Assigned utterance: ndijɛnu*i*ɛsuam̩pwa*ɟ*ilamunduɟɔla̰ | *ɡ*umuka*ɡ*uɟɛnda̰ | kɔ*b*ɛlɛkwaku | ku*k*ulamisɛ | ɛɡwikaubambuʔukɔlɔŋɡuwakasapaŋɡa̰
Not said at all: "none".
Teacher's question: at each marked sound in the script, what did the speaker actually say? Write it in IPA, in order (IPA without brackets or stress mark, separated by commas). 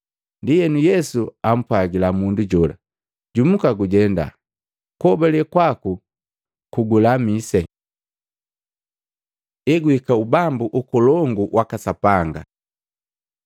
j, ɡ, ɟ, ɡ, b, ɡ